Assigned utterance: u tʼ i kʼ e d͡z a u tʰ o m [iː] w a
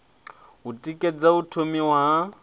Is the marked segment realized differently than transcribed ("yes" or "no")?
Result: yes